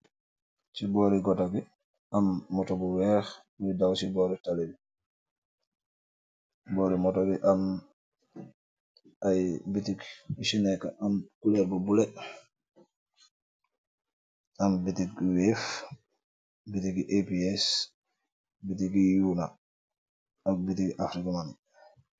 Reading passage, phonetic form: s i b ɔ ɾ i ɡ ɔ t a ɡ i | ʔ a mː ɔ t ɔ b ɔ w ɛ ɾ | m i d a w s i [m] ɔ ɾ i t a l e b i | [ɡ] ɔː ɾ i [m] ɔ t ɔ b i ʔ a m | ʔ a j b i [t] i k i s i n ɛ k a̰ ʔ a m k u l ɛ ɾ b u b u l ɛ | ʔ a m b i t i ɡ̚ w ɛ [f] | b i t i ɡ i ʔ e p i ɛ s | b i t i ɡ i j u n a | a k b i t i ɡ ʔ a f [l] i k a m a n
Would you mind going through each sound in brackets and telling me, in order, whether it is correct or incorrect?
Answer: incorrect: b, incorrect: b, correct, correct, correct, incorrect: ɾ

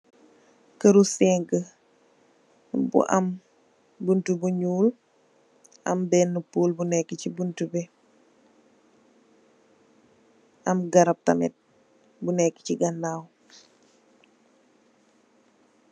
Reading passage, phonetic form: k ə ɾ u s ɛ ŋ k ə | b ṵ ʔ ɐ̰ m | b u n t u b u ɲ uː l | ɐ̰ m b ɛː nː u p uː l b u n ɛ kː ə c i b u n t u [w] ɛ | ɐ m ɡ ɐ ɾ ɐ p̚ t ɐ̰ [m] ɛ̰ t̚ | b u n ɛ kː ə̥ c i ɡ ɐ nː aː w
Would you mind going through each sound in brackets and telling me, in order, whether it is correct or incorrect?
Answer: incorrect: b, correct

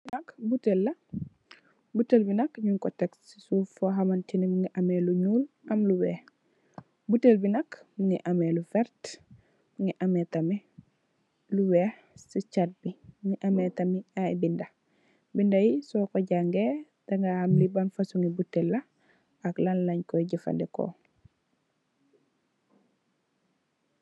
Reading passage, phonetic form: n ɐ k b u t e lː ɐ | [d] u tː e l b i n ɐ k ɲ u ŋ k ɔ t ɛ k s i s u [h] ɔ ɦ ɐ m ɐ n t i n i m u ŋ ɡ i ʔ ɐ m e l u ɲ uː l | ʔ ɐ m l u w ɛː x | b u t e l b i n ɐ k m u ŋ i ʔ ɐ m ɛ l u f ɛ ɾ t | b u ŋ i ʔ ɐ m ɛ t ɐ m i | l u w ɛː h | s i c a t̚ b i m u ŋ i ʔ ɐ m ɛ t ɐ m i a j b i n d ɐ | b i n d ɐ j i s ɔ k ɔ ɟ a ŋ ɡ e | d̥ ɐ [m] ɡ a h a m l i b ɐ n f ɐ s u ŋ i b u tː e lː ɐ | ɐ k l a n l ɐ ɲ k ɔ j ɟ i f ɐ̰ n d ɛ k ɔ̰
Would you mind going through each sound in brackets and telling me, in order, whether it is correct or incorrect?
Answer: incorrect: b, incorrect: f, incorrect: ŋ

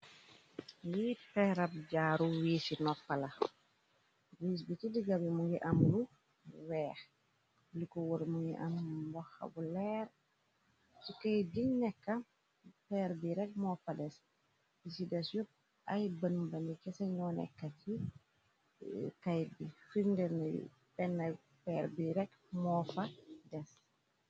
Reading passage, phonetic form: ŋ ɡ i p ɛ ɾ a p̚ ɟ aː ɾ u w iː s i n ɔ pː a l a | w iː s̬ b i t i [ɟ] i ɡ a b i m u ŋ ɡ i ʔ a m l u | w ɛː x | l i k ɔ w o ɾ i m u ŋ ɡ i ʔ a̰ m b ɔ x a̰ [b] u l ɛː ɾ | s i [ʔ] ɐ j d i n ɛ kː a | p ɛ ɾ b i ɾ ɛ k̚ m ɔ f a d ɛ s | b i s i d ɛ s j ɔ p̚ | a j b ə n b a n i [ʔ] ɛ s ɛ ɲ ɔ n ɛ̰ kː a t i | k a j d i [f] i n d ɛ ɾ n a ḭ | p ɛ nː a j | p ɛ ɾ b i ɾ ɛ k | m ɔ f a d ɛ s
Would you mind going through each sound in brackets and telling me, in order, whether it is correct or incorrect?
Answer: incorrect: d, correct, incorrect: k, incorrect: k, correct

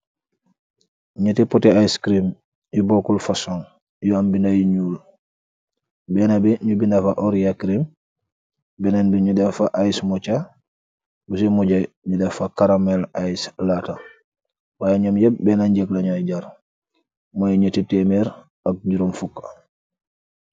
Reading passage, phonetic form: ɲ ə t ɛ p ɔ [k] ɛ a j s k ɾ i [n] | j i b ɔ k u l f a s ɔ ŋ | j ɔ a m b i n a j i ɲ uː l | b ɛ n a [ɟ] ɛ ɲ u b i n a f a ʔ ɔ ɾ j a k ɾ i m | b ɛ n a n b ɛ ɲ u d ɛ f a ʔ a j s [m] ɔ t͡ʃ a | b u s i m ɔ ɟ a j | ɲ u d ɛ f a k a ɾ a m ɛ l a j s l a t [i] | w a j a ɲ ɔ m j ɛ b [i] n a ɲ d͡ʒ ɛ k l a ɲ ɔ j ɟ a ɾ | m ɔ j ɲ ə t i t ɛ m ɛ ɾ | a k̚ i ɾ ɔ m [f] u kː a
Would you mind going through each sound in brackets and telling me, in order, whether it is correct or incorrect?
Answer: incorrect: t, incorrect: m, incorrect: b, correct, incorrect: a, incorrect: ɛ, correct

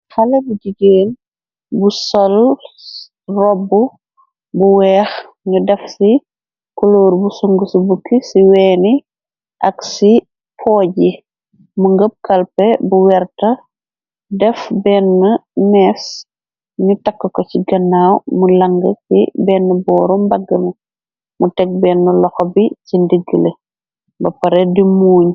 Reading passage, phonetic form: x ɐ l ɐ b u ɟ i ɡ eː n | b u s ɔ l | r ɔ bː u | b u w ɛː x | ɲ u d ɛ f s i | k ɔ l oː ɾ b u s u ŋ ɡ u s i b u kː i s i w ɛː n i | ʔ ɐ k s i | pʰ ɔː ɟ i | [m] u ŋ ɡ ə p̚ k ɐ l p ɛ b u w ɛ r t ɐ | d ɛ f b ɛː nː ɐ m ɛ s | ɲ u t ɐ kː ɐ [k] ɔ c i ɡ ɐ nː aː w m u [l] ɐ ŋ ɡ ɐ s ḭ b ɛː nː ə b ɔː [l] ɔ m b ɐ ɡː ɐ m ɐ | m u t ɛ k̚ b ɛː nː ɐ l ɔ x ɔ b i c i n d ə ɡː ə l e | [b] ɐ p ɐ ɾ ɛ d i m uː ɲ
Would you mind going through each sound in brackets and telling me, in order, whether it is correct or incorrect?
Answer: correct, correct, correct, incorrect: ɾ, correct

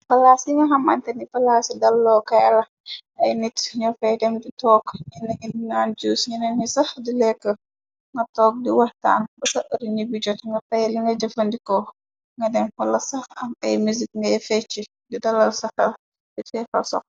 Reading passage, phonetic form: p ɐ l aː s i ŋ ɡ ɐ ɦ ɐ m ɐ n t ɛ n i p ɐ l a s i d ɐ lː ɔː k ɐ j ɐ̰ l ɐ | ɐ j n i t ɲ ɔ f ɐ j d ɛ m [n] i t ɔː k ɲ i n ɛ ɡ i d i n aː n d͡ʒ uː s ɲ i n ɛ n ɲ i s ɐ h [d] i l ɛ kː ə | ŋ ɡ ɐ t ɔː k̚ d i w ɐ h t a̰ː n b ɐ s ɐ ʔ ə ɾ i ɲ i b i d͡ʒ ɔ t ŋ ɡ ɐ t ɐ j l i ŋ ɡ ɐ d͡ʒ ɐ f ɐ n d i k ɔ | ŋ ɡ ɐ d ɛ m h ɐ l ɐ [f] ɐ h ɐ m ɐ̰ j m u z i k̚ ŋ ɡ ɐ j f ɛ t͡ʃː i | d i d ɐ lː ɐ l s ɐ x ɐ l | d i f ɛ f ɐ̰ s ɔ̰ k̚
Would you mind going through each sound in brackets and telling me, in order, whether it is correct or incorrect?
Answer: incorrect: d, correct, incorrect: s

